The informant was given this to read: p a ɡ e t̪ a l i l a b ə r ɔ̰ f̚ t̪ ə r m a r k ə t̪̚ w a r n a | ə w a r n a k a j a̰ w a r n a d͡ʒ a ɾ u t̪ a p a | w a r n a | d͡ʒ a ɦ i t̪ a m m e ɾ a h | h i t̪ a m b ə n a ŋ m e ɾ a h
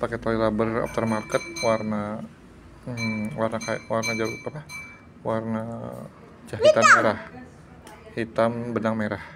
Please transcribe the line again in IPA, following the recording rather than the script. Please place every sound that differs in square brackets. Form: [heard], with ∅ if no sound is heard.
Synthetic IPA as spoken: p a [k] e t̪ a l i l a b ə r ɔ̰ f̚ t̪ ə r m a r k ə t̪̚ w a r n a | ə w a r n a k a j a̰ w a r n a d͡ʒ a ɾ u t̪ a p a | w a r n a | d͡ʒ a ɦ i t̪ a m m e ɾ a h | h i t̪ a m b ə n a ŋ m e ɾ a h